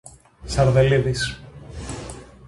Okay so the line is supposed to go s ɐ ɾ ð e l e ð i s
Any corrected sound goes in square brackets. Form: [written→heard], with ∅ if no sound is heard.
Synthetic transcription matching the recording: s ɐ ɾ ð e l [e→i] ð i s